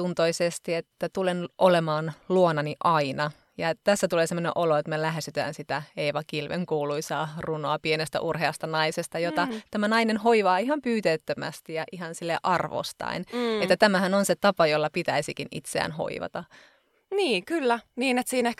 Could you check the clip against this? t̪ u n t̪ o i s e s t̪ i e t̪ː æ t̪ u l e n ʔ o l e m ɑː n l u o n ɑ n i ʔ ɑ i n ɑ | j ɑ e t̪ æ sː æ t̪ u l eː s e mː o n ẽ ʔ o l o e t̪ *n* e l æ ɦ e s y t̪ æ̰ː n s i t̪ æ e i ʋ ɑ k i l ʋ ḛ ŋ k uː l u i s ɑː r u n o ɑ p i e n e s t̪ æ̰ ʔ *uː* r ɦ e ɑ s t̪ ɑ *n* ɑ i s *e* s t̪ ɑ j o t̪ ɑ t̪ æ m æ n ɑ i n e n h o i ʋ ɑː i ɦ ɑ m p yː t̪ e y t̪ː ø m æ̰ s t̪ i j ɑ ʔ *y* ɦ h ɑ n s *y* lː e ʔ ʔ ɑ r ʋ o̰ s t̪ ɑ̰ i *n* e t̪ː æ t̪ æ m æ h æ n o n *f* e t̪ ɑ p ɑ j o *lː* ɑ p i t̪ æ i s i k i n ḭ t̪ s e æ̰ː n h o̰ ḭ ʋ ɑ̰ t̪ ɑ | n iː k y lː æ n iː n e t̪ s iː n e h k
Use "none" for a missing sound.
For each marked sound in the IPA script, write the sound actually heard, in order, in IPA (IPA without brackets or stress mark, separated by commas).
m, u, n, e, i, i, n, s, lː